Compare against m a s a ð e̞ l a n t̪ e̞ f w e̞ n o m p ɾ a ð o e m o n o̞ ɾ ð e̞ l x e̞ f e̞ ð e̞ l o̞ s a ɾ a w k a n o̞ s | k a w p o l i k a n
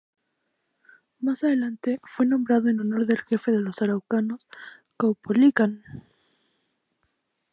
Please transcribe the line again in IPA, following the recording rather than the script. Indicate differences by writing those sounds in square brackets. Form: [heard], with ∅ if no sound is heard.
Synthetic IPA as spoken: m a s a ð e̞ l a n t̪ e̞ f w e̞ n o m [b] ɾ a ð o e [n] o n o̞ ɾ ð e̞ l x e̞ f e̞ ð e̞ l o̞ s a ɾ a w k a n o̞ s | k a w p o l i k a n